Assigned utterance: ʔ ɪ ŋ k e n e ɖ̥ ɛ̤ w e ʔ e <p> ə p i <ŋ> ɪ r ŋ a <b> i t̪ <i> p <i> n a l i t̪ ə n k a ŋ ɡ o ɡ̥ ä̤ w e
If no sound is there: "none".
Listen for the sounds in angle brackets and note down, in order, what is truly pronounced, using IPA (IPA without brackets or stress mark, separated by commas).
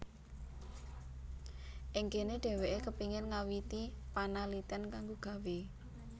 k, ŋ, w, i, a